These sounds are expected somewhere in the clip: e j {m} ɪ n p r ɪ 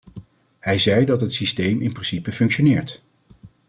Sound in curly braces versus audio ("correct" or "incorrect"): correct